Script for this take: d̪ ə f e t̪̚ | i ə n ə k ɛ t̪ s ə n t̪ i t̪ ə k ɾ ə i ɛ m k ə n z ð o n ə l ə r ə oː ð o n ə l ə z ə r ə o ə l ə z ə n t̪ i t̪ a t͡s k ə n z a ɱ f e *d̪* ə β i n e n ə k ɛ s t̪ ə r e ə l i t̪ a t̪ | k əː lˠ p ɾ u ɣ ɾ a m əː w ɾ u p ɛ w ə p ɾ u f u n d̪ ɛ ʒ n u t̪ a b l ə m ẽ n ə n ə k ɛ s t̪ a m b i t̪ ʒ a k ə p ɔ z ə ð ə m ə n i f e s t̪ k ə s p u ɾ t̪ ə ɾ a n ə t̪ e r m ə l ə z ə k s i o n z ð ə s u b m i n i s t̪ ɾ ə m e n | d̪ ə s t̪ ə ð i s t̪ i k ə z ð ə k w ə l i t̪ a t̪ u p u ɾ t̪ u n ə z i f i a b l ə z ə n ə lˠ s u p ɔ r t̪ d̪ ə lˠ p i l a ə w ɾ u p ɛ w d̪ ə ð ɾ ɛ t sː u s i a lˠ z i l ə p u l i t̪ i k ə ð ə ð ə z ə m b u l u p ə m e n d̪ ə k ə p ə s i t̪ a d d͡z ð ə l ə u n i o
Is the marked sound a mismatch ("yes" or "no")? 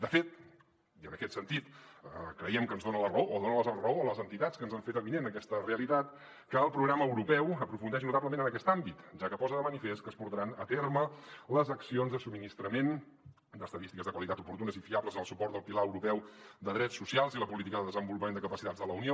yes